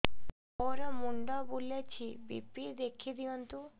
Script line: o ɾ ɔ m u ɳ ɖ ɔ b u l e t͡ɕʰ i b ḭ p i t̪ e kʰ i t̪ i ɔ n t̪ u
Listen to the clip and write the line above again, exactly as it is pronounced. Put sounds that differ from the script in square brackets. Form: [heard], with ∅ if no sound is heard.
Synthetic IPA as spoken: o ɾ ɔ m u ɳ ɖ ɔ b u l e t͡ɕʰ i b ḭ p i [d̪] e kʰ i [d̪] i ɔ n t̪ u